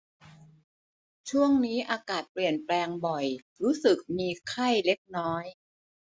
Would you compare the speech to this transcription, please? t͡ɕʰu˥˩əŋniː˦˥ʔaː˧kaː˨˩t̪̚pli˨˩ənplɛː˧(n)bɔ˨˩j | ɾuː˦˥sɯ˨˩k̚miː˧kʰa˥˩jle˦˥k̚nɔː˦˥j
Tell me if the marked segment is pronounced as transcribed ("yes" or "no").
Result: no